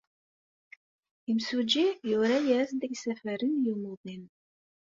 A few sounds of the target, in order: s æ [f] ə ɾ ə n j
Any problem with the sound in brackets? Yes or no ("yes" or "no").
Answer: no